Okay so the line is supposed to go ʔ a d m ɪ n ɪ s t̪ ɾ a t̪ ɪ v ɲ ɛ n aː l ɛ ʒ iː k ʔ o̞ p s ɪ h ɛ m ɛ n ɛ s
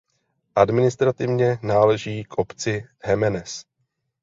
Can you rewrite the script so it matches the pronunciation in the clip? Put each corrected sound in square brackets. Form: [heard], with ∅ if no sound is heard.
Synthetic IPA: ʔ a d m ɪ n ɪ s t̪ ɾ a t̪ ɪ v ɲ ɛ n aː l ɛ ʒ iː k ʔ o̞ p [t͡s] ɪ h ɛ m ɛ n ɛ s

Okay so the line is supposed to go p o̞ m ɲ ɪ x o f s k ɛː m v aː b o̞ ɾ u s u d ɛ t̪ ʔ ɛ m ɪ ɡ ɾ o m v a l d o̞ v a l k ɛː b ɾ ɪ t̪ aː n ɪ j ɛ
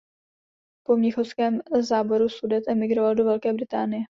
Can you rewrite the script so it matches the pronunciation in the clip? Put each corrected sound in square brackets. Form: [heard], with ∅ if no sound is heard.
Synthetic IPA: p o̞ m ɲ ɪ x o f s k ɛː m [z] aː b o̞ ɾ u s u d ɛ t̪ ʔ ɛ m ɪ ɡ ɾ o [∅] v a l d o̞ v [ɛ] l k ɛː b ɾ ɪ t̪ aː n ɪ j ɛ

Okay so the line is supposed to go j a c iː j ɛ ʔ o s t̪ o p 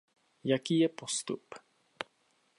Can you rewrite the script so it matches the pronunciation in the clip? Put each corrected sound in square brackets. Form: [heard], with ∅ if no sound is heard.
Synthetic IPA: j a [k] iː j ɛ [p] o s t̪ [u] p

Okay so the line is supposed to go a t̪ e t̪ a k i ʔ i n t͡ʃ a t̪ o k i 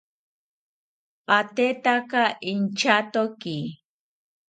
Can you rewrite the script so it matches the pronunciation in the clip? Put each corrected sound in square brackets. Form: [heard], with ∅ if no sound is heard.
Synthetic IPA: a t̪ e t̪ a k [a] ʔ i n t͡ʃ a t̪ o k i

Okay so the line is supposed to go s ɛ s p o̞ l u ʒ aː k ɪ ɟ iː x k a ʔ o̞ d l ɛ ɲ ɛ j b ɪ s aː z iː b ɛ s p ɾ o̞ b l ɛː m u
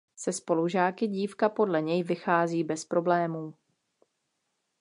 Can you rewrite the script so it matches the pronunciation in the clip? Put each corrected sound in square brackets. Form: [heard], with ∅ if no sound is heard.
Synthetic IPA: s ɛ s p o̞ l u ʒ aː k ɪ ɟ iː [f] k a [p] o̞ d l ɛ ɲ ɛ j [v] ɪ [x] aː z iː b ɛ s p ɾ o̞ b l ɛː m [uː]

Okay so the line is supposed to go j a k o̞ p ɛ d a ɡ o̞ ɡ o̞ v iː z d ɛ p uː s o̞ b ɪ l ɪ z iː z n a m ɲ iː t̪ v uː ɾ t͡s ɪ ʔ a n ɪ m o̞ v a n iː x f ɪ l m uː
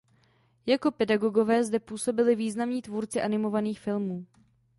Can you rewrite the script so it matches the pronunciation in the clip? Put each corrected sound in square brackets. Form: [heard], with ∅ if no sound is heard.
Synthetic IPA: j a k o̞ p ɛ d a ɡ o̞ ɡ o̞ v [ɛː] z d ɛ p uː s o̞ b ɪ l ɪ [v] iː z n a m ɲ iː t̪ v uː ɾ t͡s ɪ ʔ a n ɪ m o̞ v a n iː x f ɪ l m uː

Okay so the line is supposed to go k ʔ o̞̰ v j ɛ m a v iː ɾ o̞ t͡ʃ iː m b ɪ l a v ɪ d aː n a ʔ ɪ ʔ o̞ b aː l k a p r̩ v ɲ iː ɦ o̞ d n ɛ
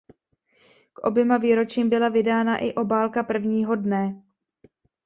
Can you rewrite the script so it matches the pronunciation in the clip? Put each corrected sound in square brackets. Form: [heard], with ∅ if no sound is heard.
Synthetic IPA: k ʔ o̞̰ [b] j ɛ m a v iː ɾ o̞ t͡ʃ iː m b ɪ l a v ɪ d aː n a ʔ ɪ ʔ o̞ b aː l k a p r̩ v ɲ iː ɦ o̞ d n ɛ

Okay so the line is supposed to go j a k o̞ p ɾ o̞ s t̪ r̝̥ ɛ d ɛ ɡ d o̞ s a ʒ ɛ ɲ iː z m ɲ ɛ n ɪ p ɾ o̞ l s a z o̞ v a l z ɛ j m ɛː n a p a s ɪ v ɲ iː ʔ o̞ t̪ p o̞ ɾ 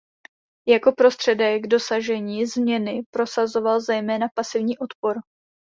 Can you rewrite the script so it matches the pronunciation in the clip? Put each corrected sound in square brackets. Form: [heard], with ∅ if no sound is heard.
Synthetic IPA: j a k o̞ p ɾ o̞ s t̪ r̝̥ ɛ d ɛ ɡ d o̞ s a ʒ ɛ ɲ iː z m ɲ ɛ n ɪ p ɾ o̞ [∅] s a z o̞ v a l z ɛ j m ɛː n a p a s ɪ v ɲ iː ʔ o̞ t̪ p o̞ ɾ

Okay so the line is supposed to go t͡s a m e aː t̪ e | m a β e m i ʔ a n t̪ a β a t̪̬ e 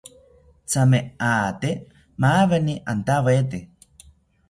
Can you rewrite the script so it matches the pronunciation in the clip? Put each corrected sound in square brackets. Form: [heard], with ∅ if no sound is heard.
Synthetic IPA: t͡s a m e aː t̪ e | m a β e [n] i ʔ a n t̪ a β [e] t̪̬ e

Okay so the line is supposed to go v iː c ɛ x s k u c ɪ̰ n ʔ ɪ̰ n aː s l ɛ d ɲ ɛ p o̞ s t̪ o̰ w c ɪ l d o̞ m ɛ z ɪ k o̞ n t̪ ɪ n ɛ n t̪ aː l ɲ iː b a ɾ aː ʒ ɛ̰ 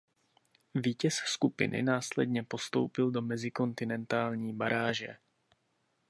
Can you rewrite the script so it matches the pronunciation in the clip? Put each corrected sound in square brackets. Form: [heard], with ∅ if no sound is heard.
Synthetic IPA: v iː c ɛ [s] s k u [p] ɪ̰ n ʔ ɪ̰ n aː s l ɛ d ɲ ɛ p o̞ s t̪ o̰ w [p] ɪ l d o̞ m ɛ z ɪ k o̞ n t̪ ɪ n ɛ n t̪ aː l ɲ iː b a ɾ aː ʒ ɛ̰

